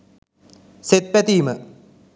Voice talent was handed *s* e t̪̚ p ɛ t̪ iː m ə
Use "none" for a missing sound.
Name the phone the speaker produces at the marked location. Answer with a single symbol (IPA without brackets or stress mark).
s